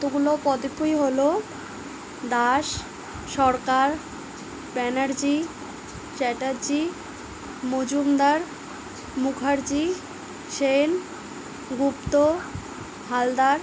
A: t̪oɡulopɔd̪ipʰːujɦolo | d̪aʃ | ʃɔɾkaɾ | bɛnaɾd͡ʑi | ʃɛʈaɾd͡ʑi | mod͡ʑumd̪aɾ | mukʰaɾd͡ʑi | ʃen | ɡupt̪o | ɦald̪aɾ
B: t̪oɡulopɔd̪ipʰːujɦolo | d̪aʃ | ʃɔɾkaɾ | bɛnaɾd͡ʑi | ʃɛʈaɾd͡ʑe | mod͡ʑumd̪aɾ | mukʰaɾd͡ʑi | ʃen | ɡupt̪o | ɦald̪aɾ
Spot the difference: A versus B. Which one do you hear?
A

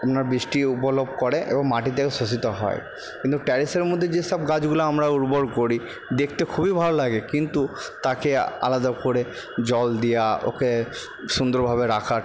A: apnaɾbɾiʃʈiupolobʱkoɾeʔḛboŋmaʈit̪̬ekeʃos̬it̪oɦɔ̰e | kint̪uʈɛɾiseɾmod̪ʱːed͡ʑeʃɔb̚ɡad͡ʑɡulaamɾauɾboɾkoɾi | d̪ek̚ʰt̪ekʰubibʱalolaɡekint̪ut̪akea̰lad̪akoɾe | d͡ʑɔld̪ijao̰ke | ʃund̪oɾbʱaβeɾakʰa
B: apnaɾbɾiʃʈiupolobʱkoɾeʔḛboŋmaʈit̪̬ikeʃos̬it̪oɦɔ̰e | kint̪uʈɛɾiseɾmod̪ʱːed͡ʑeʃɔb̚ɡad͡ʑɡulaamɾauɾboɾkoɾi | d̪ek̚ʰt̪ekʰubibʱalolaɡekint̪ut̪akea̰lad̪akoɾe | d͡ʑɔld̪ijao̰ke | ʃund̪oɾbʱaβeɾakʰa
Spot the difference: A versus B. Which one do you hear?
A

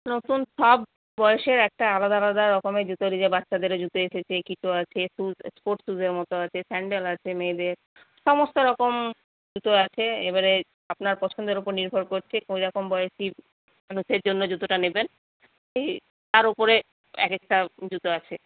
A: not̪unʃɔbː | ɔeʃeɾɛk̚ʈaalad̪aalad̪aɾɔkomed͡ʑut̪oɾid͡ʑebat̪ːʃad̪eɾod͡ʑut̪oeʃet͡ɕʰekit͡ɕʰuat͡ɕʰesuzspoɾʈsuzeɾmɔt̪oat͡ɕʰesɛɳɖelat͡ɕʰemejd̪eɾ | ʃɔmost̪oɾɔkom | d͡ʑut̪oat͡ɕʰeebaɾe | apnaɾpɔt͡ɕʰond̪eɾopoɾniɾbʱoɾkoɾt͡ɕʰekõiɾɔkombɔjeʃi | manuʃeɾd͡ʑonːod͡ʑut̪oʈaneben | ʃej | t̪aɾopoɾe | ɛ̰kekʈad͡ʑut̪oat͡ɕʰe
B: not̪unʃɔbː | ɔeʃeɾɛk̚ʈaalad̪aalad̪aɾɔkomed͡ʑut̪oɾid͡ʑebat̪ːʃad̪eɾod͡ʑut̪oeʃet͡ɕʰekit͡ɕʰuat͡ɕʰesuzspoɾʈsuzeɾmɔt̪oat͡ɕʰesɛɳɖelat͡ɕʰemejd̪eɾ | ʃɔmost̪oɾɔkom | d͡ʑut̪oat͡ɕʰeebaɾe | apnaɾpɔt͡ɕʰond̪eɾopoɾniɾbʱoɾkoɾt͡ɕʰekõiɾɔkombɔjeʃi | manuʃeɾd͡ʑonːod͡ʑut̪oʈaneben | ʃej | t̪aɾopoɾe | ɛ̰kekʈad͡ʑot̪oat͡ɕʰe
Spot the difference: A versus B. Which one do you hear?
A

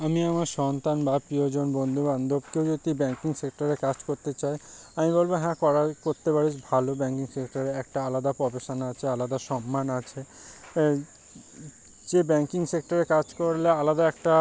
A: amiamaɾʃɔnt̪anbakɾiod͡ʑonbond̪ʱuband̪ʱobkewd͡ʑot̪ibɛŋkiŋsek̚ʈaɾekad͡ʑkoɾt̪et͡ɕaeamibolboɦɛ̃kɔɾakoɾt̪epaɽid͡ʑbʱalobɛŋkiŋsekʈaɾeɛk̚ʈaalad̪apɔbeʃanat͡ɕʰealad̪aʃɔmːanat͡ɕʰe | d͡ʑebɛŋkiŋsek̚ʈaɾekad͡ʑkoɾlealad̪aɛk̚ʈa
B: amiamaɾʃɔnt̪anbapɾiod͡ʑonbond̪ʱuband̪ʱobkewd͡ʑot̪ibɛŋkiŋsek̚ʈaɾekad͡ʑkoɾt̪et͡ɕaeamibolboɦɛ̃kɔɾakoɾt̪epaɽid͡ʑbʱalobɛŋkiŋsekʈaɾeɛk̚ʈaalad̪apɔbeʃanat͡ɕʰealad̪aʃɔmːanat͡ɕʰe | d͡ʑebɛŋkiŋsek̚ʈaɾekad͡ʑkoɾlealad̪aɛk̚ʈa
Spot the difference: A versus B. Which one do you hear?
B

